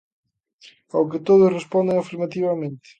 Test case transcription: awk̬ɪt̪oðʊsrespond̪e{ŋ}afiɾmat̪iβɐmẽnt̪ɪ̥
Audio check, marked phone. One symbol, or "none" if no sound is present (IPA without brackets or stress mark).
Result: ŋ